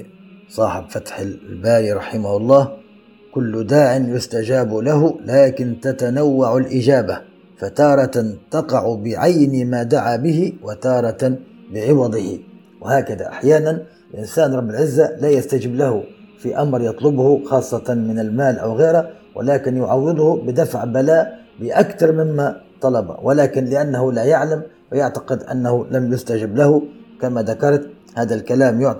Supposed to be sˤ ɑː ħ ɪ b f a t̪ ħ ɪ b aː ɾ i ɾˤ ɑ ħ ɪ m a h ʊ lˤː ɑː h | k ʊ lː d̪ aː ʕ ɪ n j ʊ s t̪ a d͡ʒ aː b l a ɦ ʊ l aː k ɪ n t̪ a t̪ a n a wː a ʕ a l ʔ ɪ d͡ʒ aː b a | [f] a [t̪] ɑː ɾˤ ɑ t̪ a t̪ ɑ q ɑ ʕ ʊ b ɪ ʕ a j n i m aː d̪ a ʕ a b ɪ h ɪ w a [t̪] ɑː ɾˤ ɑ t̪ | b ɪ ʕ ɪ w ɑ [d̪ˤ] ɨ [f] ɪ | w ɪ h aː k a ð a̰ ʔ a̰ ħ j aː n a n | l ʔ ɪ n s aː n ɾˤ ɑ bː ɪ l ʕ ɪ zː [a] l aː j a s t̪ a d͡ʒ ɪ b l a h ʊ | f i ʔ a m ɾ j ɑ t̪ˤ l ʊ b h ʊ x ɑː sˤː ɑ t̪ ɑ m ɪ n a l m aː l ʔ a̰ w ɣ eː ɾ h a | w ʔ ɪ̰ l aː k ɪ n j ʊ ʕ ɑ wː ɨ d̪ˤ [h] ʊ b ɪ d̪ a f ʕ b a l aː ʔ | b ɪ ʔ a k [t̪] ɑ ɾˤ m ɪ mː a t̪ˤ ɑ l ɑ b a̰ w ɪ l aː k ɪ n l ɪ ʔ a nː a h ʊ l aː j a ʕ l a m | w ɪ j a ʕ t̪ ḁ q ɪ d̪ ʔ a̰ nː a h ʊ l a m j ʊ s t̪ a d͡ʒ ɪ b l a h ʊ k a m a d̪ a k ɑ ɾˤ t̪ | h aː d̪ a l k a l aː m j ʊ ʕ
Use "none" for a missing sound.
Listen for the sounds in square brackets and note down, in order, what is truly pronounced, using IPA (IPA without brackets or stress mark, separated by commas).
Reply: f, t̪, t̪, d̪ˤ, h, a, h, t̪